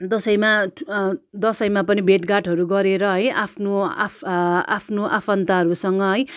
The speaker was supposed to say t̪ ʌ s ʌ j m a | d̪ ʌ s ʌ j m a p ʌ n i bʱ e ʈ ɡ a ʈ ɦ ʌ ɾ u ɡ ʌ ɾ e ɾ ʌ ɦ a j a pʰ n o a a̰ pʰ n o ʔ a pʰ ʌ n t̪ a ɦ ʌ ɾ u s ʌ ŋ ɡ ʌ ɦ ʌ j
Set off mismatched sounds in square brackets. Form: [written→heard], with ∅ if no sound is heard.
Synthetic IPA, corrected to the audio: [t̪→d̪] ʌ s ʌ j m a | d̪ ʌ s ʌ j m a p ʌ n i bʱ e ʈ ɡ a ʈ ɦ ʌ ɾ u ɡ ʌ ɾ e ɾ ʌ ɦ [a→ʌ] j a pʰ n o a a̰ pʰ n o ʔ a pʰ ʌ n t̪ a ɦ ʌ ɾ u s ʌ ŋ ɡ ʌ ɦ ʌ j